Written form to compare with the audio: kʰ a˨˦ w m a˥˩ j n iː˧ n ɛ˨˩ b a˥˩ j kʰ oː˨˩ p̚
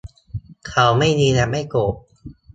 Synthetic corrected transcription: kʰ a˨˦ w m a˥˩ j n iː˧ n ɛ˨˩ m a˥˩ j k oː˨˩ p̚